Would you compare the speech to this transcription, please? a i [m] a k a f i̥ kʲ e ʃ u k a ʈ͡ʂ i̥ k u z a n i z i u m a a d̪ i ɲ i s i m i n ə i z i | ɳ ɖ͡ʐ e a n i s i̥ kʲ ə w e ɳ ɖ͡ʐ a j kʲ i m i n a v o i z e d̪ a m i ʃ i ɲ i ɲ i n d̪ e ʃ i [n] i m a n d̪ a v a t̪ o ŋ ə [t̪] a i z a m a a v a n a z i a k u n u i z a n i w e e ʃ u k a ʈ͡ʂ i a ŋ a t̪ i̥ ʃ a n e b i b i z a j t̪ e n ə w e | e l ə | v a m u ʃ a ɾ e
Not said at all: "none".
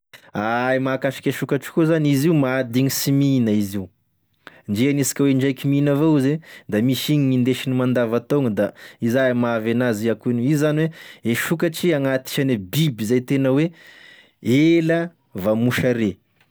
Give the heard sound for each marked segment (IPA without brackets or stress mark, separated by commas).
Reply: m, n, d̪